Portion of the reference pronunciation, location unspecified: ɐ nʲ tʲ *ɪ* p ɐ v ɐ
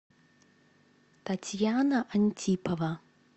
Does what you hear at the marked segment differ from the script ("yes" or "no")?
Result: yes